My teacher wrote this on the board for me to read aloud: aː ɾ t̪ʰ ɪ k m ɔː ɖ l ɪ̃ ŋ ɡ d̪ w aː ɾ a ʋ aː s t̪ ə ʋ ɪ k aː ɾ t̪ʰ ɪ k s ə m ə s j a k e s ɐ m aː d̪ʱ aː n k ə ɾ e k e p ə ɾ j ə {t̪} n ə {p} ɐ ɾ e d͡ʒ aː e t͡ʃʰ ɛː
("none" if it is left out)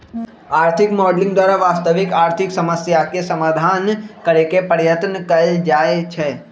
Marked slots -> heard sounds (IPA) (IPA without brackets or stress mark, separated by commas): t̪, k